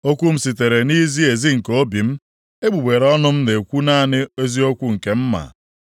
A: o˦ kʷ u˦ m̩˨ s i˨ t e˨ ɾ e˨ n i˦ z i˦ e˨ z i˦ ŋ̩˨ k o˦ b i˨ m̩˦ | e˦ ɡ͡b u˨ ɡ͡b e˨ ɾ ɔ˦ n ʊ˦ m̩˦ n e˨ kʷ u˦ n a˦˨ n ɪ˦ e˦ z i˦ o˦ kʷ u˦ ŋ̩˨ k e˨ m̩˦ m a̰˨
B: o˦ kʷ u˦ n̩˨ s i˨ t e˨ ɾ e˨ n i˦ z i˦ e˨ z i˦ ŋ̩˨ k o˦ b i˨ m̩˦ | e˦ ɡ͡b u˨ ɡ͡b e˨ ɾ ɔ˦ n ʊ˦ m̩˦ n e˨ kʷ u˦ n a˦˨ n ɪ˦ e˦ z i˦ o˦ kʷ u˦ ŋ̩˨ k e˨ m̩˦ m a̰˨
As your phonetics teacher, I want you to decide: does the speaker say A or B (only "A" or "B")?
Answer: A